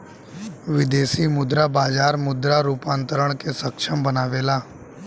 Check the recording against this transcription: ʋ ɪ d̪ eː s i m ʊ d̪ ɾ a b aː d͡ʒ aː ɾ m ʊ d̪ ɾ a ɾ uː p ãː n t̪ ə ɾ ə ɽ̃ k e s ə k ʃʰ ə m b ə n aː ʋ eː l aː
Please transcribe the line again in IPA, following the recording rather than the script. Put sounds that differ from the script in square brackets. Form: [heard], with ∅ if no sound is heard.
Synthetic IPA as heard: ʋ ɪ d̪ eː s i m ʊ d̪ ɾ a b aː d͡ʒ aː ɾ m ʊ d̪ ɾ a ɾ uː p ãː n t̪ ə ɾ ə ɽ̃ k e s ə k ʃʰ ə m b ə n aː ʋ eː l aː